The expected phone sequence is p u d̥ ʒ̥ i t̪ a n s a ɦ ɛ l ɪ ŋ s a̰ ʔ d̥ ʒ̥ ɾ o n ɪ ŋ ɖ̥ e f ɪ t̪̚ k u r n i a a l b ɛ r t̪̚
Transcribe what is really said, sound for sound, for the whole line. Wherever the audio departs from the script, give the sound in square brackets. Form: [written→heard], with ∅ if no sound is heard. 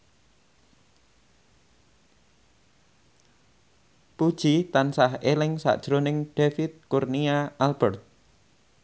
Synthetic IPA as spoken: p u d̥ ʒ̥ i t̪ a n s a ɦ [ɛ→e] l ɪ ŋ s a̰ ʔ d̥ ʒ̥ ɾ o n ɪ ŋ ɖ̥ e f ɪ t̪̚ k u r n i a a l b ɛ r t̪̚